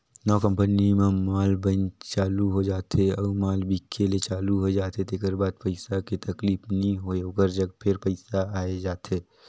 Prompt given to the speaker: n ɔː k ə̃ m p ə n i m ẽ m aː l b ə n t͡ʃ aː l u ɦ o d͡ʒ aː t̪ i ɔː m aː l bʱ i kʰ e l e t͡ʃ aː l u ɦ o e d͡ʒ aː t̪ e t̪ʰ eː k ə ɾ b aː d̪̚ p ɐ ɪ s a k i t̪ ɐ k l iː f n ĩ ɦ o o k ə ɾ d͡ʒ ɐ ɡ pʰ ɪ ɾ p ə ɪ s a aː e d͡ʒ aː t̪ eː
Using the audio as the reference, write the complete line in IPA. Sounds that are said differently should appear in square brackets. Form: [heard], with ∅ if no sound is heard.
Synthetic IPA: n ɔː k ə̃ m p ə n i m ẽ m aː l b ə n t͡ʃ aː l u ɦ o d͡ʒ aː t̪ [e] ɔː m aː l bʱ i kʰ e l e t͡ʃ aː l u ɦ o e d͡ʒ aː t̪ e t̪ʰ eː k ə ɾ b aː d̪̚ p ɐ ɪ s a k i t̪ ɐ k l iː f n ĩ ɦ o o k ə ɾ d͡ʒ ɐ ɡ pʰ ɪ ɾ p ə ɪ s a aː e d͡ʒ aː t̪ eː